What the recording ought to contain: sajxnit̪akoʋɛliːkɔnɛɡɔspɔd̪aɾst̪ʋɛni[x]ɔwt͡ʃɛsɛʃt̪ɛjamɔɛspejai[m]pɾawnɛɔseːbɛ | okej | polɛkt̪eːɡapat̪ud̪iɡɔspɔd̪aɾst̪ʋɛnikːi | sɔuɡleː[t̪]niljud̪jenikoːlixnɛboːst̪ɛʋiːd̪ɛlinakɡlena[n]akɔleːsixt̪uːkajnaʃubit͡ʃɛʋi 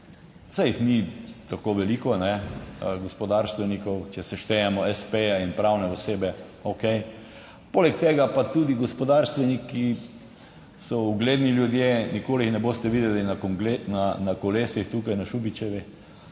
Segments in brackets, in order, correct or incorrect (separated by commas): incorrect, incorrect, incorrect, correct